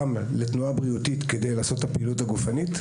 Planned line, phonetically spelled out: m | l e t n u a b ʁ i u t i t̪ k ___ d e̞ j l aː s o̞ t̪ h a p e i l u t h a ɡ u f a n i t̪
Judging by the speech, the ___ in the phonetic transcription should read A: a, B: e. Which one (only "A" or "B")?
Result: B